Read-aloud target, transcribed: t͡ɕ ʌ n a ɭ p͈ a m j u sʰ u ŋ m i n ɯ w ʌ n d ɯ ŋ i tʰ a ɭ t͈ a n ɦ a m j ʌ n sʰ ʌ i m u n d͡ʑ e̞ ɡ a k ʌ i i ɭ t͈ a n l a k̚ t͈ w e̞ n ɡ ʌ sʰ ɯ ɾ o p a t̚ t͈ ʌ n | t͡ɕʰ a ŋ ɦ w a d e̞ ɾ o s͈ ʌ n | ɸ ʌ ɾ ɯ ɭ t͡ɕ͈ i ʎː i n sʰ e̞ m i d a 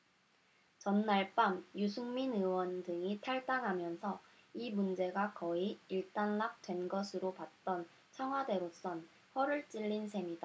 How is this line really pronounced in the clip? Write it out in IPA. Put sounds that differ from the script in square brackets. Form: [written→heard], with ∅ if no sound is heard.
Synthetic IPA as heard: t͡ɕ ʌ [n→nː] a ɭ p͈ a m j u sʰ u ŋ m i n ɯ w ʌ n d ɯ ŋ i tʰ a ɭ t͈ a [n→ŋ] ɦ a m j ʌ n sʰ ʌ i m u n d͡ʑ e̞ ɡ a k ʌ i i ɭ t͈ a n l a k̚ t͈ w e̞ n ɡ ʌ sʰ ɯ ɾ o p a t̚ t͈ ʌ n | t͡ɕʰ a ŋ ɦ w a d e̞ ɾ o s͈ ʌ n | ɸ ʌ ɾ ɯ ɭ t͡ɕ͈ i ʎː i n sʰ e̞ m i d a